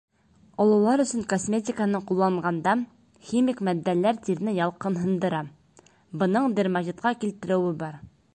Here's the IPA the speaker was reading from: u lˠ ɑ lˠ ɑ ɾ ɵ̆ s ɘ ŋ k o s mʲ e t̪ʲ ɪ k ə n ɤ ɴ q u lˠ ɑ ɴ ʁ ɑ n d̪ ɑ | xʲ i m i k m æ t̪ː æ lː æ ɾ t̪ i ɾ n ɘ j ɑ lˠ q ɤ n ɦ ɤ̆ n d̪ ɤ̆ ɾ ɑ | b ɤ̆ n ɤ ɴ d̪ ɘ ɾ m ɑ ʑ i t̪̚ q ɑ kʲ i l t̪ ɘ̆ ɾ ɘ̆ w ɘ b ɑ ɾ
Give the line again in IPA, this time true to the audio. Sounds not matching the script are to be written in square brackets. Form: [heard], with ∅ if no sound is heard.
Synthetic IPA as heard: [ɒ] lˠ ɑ lˠ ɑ ɾ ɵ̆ s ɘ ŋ k o s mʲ e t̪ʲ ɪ k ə n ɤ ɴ q u [lˠː] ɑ ɴ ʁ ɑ n d̪ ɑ | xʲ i m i k m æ [d̪ː] æ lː æ ɾ t̪ i ɾ n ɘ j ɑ lˠ q ɤ n ɦ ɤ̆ n d̪ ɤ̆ ɾ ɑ | b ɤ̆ n ɤ ɴ d̪ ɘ ɾ m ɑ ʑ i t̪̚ q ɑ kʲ i l t̪ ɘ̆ ɾ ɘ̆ w ɘ b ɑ ɾ